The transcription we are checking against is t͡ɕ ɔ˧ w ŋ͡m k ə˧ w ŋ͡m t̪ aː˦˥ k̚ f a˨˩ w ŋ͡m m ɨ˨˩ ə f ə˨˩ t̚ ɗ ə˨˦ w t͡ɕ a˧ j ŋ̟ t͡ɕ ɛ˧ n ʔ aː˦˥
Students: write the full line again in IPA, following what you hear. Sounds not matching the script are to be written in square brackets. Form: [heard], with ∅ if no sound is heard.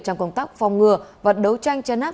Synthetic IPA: t͡ɕ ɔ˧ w ŋ͡m k ə˧ w ŋ͡m t̪ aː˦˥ k̚ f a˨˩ w ŋ͡m [ŋ] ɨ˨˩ ə [v] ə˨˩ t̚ ɗ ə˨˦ w t͡ɕ a˧ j ŋ̟ t͡ɕ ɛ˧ n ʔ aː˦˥